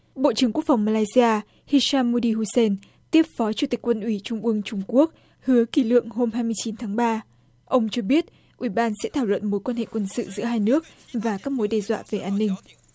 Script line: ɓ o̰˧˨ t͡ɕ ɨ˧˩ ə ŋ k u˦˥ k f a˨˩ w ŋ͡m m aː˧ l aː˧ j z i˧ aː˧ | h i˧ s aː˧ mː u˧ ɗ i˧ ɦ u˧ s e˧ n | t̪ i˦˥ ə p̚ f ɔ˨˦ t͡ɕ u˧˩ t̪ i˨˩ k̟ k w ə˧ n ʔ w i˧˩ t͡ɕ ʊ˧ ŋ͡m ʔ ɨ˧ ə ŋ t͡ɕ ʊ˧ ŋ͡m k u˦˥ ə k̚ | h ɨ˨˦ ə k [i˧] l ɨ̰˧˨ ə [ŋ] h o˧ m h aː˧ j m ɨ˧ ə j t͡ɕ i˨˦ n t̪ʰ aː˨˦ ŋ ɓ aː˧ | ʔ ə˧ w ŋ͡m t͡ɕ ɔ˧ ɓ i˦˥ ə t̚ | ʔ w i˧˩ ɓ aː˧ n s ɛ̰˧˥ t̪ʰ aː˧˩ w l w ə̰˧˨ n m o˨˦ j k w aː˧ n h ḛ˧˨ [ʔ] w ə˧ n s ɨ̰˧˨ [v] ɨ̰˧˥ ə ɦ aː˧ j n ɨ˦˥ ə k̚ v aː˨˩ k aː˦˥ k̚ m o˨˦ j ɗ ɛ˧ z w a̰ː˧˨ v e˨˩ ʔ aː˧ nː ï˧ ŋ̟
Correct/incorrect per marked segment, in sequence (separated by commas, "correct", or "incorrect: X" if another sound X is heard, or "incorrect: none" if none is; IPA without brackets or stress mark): incorrect: i˧˩, correct, incorrect: k, incorrect: z